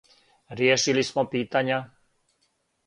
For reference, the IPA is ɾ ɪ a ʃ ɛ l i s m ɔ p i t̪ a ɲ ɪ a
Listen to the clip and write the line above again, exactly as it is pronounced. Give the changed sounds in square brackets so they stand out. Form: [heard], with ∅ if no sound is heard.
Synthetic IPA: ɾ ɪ [ɛ] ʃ [i] l i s m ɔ p [iː] t̪ a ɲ ɪ a